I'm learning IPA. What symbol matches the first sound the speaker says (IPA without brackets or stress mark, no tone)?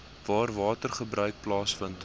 v